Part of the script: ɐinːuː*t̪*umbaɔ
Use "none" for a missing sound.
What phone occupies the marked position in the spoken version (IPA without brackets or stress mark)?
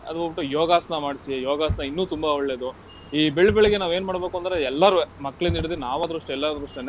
t̪